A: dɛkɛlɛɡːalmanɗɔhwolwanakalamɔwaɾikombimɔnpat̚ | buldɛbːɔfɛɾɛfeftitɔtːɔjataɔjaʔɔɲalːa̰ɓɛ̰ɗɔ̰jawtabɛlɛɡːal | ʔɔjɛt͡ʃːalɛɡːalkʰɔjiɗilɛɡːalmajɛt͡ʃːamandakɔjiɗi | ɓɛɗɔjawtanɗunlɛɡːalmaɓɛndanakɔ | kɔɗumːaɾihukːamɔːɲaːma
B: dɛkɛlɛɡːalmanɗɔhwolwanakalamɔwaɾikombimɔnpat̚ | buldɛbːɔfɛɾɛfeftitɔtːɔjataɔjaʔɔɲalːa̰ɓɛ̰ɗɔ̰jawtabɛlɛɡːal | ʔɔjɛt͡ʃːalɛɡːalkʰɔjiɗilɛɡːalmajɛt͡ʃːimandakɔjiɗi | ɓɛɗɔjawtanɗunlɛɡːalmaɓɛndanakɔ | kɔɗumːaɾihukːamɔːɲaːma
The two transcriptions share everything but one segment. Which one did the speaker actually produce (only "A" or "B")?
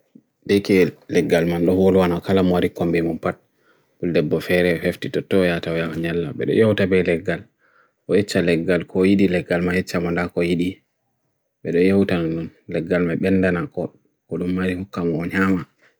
A